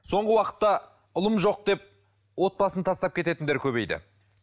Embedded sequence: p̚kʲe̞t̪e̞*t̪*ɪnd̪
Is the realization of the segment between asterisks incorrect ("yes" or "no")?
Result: no